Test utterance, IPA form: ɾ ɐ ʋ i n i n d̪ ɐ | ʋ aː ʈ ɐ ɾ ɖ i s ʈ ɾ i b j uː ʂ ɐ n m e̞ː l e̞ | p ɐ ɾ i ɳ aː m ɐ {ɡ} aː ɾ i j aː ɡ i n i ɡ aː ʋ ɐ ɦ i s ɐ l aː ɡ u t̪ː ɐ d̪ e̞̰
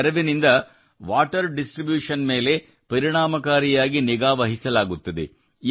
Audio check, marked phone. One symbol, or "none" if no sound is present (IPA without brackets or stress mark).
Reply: k